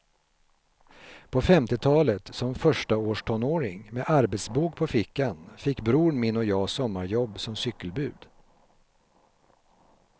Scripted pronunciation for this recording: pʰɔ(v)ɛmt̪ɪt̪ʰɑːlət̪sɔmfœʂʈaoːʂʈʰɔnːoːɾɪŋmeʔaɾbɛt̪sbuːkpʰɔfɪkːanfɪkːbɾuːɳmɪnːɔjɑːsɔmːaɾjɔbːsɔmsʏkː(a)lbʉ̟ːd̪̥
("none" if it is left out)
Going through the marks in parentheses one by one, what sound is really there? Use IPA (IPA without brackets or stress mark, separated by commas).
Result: f, ə